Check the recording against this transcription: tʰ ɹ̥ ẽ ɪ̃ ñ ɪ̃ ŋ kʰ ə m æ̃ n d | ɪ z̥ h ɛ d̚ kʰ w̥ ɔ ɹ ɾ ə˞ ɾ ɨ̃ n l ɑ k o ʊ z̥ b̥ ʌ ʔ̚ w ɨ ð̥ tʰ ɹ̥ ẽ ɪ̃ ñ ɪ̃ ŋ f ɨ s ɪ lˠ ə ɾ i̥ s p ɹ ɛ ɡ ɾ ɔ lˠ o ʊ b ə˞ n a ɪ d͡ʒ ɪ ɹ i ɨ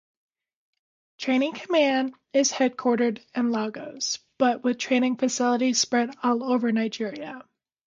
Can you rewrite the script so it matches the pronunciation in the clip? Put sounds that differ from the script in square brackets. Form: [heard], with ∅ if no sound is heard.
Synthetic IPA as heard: tʰ ɹ̥ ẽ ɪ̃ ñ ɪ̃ ŋ kʰ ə m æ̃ n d | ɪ z̥ h ɛ d̚ kʰ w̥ ɔ ɹ ɾ ə˞ ɾ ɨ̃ n l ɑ [ɡ] o ʊ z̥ b̥ ʌ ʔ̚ w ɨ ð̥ tʰ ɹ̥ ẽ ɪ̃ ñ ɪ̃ ŋ f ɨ s ɪ lˠ ə ɾ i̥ s p ɹ ɛ [∅] ɾ ɔ lˠ o ʊ [v] ə˞ n a ɪ d͡ʒ ɪ ɹ i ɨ

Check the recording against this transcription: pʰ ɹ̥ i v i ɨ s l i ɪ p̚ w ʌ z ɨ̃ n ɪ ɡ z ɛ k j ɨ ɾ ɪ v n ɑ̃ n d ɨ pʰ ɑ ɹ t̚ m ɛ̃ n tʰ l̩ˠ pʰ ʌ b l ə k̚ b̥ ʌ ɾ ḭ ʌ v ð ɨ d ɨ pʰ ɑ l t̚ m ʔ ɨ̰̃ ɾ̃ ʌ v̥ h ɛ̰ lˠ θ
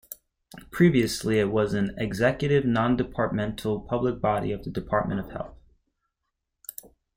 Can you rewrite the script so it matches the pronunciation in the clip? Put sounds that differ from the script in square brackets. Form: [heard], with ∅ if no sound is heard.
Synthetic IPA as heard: pʰ ɹ̥ i v i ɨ s l i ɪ [t̚] w ʌ z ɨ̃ n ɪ ɡ z ɛ k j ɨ ɾ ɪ v n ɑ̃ n d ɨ pʰ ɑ ɹ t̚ m ɛ̃ n tʰ l̩ˠ pʰ ʌ b l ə k̚ b̥ [ɑ] ɾ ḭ ʌ v ð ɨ d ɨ pʰ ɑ [ɹ] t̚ m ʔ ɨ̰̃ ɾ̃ ʌ v̥ h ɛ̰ lˠ θ

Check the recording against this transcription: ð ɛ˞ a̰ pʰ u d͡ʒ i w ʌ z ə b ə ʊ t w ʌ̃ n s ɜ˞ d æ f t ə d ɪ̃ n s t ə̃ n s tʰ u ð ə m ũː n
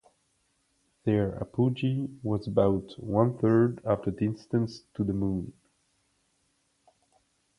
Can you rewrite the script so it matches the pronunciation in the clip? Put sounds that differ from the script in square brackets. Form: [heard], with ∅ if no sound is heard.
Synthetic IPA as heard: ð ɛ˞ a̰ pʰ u d͡ʒ i w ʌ z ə b [a] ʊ t w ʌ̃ n [θ] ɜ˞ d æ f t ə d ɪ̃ n s t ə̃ n s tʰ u ð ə m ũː n

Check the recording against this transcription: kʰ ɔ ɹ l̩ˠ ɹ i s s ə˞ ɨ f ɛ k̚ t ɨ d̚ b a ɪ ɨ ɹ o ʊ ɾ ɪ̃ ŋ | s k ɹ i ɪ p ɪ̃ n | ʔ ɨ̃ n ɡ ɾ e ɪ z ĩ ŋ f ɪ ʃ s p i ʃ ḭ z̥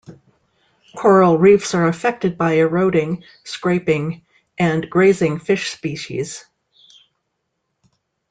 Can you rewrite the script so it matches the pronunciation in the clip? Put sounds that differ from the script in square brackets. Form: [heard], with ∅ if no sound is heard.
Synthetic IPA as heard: kʰ ɔ ɹ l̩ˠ ɹ i [f] s ə˞ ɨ f ɛ k̚ t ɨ d̚ b a ɪ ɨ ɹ o ʊ ɾ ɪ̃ ŋ | s k ɹ [e] ɪ p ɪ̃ [ŋ] | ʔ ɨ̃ n ɡ [ɹ] e ɪ z [ɪ̃] ŋ f ɪ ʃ s p i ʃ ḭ z̥

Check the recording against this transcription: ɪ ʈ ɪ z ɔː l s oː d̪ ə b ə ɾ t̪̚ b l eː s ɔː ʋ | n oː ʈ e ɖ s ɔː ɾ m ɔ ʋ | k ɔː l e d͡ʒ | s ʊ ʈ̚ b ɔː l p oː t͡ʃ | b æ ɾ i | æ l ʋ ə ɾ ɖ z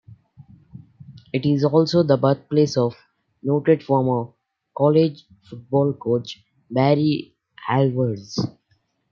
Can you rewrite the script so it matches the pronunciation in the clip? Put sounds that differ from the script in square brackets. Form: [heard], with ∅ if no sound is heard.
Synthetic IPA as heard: ɪ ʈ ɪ z ɔː l s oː d̪ ə b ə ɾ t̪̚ [p] l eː s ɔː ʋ | n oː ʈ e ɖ [f] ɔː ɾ m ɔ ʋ | k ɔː l e d͡ʒ | [f] ʊ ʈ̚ b ɔː l [k] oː t͡ʃ | b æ ɾ i | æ l ʋ ə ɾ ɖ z

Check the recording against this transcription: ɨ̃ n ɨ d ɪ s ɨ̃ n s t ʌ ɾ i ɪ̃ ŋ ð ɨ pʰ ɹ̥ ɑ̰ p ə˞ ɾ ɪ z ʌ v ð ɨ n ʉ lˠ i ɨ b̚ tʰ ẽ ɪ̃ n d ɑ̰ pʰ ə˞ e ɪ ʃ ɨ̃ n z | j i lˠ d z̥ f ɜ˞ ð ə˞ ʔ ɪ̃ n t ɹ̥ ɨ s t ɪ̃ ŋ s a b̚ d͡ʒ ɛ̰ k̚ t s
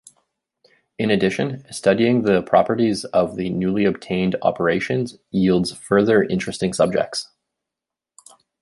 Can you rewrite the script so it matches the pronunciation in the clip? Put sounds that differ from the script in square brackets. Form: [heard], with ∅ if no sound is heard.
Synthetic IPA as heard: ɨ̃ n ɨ d ɪ [ʃ] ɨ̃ n s t ʌ ɾ i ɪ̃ ŋ ð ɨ pʰ ɹ̥ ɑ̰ p ə˞ ɾ [i] z ʌ v ð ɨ n ʉ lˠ i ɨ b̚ tʰ ẽ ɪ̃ n d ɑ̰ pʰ ə˞ e ɪ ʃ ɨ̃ n z | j i lˠ d z̥ f ɜ˞ ð ə˞ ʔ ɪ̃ n [t͡ʃ] ɹ̥ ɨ s t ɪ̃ ŋ s [ʌ] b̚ d͡ʒ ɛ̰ k̚ t s

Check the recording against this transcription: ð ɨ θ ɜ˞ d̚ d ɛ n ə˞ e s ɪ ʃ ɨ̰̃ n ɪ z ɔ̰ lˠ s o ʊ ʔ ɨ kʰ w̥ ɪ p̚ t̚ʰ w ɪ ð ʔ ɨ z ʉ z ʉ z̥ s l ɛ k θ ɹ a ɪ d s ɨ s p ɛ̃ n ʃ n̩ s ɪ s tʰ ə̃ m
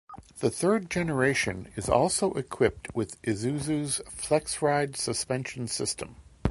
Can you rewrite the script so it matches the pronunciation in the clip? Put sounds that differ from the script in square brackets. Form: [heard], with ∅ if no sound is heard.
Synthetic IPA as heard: ð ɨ θ ɜ˞ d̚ [d͡ʒ] ɛ n ə˞ e [∅] ɪ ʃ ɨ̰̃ n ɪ z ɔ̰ lˠ s o ʊ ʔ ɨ kʰ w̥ ɪ p̚ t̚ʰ w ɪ ð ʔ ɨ z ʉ z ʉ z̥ [f] l ɛ k [s] ɹ a ɪ d s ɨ s p ɛ̃ n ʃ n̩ s ɪ s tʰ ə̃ m

